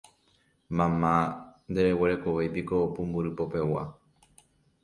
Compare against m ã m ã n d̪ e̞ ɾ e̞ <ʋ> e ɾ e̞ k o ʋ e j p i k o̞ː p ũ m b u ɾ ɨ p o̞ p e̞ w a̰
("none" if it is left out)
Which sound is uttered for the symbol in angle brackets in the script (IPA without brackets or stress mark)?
w